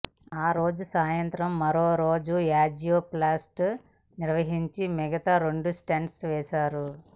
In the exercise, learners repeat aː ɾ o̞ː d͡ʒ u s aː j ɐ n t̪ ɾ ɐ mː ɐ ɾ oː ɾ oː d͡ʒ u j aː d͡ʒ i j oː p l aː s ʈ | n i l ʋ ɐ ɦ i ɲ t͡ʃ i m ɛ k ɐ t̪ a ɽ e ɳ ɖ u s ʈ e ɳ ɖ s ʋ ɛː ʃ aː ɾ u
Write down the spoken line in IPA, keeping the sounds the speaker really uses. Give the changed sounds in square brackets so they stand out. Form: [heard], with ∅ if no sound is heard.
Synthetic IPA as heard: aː ɾ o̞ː d͡ʒ u s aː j ɐ n t̪ ɾ ɐ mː ɐ ɾ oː ɾ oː d͡ʒ u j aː d͡ʒ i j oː p l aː s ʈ | n i [ɾ] ʋ ɐ ɦ i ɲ t͡ʃ i m ɛ [ɡ] ɐ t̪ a [ɾ] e ɳ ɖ u s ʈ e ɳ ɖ s ʋ ɛː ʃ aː ɾ u